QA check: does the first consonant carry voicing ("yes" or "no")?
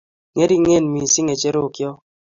yes